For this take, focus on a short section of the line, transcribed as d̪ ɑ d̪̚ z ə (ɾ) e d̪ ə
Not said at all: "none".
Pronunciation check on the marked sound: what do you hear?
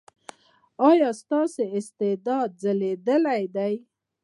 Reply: l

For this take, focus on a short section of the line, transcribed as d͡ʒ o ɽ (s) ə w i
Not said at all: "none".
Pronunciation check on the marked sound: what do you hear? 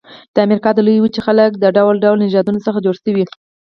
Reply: s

